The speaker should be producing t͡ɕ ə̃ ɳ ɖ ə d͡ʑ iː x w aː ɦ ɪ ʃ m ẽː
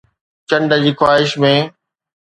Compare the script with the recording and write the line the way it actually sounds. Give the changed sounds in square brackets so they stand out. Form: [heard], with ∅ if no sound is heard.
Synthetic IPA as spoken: t͡ɕ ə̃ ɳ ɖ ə d͡ʑ iː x w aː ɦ ɪ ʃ m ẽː